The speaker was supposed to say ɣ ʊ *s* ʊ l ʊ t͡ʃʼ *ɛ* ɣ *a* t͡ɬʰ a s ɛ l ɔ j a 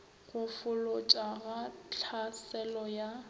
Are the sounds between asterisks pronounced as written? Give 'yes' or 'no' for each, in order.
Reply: no, no, yes

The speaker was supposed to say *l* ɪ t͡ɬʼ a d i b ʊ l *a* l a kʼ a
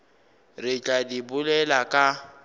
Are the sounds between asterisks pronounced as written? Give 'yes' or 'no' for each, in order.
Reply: no, no

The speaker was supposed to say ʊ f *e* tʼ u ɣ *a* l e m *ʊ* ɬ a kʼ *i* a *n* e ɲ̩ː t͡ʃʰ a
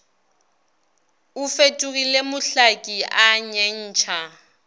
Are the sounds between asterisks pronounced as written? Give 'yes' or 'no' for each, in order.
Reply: yes, no, yes, yes, no

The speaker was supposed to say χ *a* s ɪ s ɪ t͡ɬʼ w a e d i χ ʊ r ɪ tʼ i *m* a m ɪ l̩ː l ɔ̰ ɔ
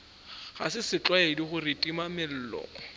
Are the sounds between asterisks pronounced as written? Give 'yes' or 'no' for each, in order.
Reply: yes, yes

